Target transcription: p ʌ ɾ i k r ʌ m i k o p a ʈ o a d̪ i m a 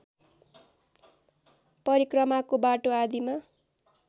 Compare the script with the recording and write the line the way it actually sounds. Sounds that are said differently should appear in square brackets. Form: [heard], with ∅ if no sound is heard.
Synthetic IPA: p ʌ ɾ i k r ʌ m [a] k o [b] a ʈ o a d̪ i m a